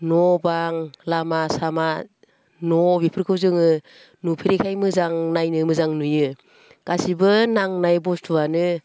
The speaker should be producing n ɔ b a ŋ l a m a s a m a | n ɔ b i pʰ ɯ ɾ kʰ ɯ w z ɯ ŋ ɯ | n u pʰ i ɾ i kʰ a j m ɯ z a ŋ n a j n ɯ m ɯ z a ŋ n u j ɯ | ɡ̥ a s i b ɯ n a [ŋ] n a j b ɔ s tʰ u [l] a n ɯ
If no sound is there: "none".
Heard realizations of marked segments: ŋ, none

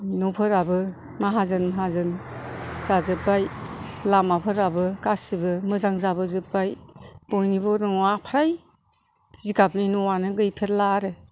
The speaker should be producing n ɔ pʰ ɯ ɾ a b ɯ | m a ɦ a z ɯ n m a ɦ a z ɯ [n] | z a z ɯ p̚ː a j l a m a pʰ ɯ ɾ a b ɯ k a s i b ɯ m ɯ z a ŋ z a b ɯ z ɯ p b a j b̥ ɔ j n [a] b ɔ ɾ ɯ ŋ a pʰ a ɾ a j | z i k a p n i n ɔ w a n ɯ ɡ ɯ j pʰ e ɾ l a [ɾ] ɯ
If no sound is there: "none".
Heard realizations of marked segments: n, i, ɾ

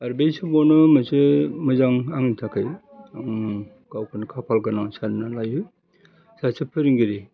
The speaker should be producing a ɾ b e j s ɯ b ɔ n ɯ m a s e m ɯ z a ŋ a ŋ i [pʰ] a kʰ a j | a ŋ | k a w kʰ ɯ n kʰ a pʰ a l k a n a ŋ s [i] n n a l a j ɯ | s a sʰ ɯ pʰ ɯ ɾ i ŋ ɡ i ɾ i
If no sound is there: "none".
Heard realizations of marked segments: tʰ, a

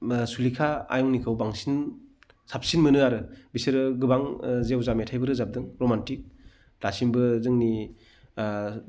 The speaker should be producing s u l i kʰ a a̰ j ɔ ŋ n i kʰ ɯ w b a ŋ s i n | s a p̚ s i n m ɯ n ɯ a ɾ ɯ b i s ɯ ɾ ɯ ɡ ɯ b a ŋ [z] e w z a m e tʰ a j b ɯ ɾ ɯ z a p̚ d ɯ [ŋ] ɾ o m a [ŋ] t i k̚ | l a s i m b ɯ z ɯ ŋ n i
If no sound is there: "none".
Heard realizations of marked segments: z, ŋ, n

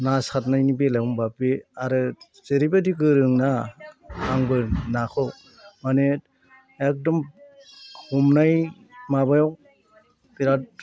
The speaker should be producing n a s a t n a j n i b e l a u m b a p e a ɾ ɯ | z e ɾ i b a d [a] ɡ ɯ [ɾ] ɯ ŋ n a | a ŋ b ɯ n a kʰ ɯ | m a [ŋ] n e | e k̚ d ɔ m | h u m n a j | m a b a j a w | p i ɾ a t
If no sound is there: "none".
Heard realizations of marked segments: i, ɾ, none

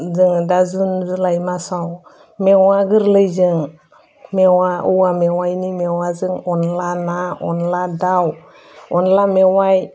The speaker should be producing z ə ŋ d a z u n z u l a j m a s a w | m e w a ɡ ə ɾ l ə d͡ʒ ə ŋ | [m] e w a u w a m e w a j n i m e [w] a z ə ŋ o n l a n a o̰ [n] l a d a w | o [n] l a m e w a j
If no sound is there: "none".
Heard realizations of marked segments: m, w, n, n

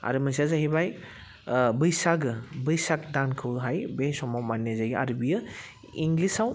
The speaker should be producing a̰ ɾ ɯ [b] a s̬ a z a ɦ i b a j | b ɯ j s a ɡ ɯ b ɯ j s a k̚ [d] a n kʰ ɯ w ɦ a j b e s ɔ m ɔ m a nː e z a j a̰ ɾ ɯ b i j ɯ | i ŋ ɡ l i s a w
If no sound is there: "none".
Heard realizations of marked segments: m, d

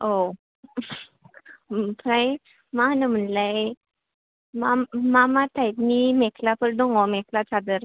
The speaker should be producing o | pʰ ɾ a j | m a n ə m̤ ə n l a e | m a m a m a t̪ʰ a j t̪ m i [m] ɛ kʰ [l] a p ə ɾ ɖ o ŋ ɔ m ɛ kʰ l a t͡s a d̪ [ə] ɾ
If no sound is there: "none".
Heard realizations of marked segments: m, l, ə

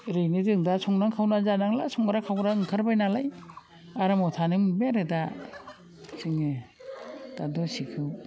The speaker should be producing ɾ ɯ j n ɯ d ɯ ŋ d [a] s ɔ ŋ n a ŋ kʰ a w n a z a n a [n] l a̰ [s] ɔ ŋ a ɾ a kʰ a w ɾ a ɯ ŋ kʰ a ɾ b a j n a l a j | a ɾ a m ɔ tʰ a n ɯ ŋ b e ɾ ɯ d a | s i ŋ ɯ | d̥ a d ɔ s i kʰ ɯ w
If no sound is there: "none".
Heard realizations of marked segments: a, ŋ, s

